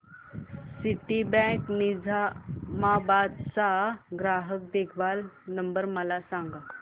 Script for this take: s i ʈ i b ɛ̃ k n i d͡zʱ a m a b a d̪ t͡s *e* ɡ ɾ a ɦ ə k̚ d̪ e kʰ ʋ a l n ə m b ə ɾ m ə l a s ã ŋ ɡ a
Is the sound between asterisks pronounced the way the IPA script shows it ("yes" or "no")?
no